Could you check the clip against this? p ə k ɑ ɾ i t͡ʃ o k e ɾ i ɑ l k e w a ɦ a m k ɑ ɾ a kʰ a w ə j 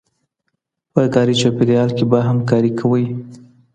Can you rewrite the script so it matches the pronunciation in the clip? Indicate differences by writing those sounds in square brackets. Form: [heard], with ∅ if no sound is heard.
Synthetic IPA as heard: p ə k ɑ ɾ i t͡ʃ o [p] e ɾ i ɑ l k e [b] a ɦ a m k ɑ ɾ [i] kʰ a w ə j